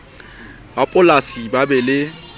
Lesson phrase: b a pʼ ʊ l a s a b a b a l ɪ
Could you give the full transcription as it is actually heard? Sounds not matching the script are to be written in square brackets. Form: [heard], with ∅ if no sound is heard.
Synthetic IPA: b a pʼ ʊ l a s [i] b a b [ɛ] l ɪ